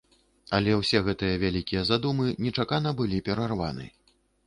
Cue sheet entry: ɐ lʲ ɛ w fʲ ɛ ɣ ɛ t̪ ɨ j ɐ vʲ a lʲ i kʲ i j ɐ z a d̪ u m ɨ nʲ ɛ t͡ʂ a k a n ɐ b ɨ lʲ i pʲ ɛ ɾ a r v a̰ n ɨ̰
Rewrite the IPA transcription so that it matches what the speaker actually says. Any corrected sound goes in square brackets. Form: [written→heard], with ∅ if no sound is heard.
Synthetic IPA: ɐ lʲ ɛ w [fʲ→sʲ] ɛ ɣ ɛ t̪ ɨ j ɐ vʲ a lʲ i kʲ i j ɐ z a d̪ u m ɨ nʲ ɛ t͡ʂ a k a n ɐ b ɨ lʲ i pʲ ɛ ɾ a r v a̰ n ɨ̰